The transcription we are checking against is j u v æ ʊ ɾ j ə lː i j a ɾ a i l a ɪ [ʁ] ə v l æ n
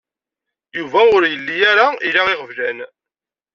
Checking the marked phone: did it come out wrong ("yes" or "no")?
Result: no